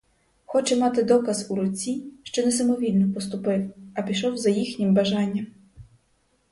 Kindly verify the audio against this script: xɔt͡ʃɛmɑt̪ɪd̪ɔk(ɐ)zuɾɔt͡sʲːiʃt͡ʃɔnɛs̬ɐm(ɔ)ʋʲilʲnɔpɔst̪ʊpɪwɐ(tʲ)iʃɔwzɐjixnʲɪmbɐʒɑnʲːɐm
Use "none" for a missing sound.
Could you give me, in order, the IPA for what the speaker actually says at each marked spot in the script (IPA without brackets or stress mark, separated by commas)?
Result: ɐ, ɔ, pʲ